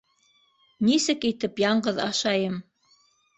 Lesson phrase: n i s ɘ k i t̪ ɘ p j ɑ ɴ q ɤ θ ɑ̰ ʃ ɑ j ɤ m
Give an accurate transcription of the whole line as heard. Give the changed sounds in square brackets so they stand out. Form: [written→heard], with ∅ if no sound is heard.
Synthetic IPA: n i s ɘ k i t̪ ɘ p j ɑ ɴ [q→ɢ] ɤ [θ→ð] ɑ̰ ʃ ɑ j ɤ m